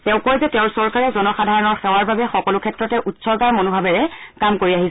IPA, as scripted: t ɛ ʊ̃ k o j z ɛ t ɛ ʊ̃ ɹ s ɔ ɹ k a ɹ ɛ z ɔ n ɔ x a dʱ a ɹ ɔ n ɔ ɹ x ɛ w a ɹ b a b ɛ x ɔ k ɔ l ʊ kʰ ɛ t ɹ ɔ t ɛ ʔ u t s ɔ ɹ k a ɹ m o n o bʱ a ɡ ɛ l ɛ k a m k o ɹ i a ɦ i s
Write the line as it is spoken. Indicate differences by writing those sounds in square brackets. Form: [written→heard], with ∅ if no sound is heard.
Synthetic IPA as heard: t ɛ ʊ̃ k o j z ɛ t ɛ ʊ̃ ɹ s ɔ ɹ k a ɹ ɛ z ɔ n ɔ x a dʱ a ɹ ɔ n ɔ ɹ x ɛ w a ɹ b a b ɛ x ɔ k ɔ l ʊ kʰ ɛ t ɹ ɔ t ɛ ʔ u t s ɔ ɹ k a ɹ m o n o bʱ a [ɡ→b] ɛ [l→ɹ] ɛ k a m k o ɹ i a ɦ i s